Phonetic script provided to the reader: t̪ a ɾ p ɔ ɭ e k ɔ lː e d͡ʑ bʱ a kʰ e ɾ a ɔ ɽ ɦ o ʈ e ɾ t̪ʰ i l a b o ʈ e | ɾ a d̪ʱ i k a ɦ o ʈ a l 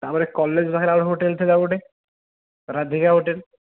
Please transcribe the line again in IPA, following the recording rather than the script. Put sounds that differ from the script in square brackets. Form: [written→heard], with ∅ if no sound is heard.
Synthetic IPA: t̪ a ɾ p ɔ [ɭ→ɾ] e k ɔ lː e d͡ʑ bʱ a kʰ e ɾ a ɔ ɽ ɦ o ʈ e [ɾ→l] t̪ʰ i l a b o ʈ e | ɾ a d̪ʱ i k a ɦ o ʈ [a→e] l